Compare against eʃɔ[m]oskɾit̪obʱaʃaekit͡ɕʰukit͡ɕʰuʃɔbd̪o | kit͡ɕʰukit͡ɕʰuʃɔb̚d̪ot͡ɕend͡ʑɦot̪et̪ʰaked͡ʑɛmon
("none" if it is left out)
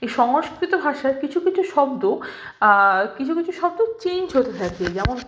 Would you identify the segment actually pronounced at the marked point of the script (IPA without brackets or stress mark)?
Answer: ŋ